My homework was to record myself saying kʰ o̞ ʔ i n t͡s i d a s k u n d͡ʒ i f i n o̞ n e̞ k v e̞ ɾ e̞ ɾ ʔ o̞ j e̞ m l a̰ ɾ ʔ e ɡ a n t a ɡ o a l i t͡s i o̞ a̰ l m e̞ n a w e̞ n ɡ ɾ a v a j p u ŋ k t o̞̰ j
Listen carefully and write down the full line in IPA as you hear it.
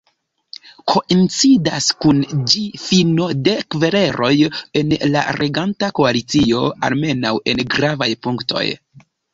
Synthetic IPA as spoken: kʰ o̞ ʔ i n t͡s i d a s k u n d͡ʒ i f i n o̞ d e̞ k v e̞ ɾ e̞ ɾ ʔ o̞ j e̞ n l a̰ ɾ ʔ e ɡ a n t a k o a l i t͡s i o̞ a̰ l m e̞ n a w e̞ n ɡ ɾ a v a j p u ŋ k t o̞̰ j